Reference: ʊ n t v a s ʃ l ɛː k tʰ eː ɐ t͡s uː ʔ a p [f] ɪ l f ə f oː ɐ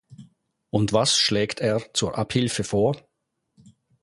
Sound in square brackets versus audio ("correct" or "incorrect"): incorrect